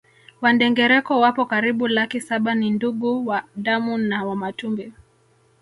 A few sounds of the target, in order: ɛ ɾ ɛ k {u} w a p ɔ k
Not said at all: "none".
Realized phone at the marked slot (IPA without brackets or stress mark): ɔ